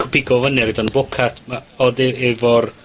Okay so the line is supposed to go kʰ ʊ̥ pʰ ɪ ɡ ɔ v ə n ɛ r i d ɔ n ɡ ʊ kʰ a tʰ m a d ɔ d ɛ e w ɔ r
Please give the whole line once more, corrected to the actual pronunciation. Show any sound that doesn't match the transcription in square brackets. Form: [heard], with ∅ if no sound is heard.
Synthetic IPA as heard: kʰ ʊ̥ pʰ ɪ ɡ ɔ v ə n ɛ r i d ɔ n [b] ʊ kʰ a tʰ m a [∅] ɔ d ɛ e [v] ɔ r